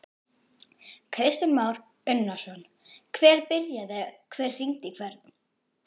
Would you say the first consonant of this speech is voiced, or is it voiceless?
voiceless